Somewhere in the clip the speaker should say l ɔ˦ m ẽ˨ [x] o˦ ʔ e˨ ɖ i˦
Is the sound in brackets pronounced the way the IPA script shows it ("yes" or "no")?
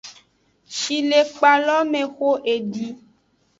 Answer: yes